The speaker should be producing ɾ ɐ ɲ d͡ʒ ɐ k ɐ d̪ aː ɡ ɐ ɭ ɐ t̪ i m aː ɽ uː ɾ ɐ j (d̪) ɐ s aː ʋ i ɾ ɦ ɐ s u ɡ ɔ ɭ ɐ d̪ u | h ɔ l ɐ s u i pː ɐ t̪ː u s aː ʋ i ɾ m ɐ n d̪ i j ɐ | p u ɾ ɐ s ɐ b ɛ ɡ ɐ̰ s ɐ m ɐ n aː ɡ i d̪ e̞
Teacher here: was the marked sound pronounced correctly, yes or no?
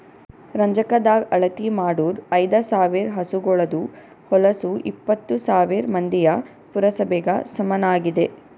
yes